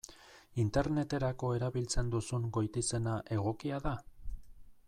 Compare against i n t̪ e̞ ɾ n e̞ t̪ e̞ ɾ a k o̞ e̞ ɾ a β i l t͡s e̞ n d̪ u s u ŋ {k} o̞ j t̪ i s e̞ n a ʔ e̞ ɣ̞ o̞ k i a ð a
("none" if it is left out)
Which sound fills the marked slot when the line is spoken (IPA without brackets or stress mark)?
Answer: ɡ